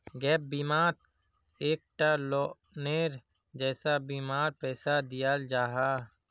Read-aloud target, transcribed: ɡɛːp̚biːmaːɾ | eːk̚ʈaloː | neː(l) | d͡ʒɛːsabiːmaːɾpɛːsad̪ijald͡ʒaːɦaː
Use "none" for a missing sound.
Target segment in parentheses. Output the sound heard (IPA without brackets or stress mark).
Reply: ɾ